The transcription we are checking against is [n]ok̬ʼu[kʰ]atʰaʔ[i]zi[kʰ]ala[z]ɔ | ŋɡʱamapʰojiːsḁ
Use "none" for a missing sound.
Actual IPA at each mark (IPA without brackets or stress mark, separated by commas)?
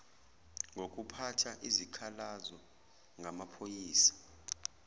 ŋ, pʰ, i, kʰ, z